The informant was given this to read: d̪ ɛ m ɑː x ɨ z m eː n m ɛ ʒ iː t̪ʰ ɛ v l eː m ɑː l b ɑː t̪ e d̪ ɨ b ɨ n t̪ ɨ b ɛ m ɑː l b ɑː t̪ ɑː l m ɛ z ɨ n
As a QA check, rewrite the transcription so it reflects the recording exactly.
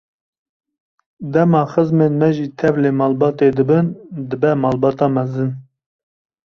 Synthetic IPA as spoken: d̪ ɛ m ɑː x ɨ z m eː n m ɛ ʒ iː t̪ʰ ɛ v l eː m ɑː l b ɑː t̪ e d̪ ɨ b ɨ n d̪ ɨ b ɛ m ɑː l b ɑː t̪ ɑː m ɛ z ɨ n